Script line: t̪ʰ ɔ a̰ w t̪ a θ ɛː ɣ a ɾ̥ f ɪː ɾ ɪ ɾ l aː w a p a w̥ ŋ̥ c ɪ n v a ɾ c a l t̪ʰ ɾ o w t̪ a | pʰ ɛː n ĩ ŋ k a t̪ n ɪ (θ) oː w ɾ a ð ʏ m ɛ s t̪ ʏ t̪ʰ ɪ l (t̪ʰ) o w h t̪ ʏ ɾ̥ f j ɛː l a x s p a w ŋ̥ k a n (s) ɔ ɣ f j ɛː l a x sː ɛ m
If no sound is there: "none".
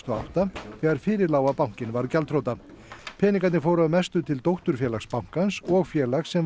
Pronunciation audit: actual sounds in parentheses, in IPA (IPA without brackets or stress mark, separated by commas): f, t̪, s